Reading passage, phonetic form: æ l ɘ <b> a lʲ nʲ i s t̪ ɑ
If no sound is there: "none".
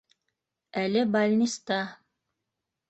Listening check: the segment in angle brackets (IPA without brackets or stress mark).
b